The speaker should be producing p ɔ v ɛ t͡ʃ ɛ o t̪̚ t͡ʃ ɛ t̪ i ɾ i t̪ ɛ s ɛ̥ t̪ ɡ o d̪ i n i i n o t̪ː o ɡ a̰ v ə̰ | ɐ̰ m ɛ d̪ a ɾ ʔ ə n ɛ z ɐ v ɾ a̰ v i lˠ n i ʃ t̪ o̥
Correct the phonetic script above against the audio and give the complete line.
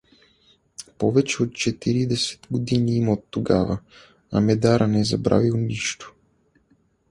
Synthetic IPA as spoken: p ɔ v ɛ t͡ʃ ɛ o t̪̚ t͡ʃ ɛ t̪ i ɾ i d̪ ɛ s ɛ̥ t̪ ɡ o d̪ i n i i m o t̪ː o ɡ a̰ v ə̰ | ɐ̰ m ɛ d̪ a ɾ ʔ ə n ɛ z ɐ b ɾ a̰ v i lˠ n i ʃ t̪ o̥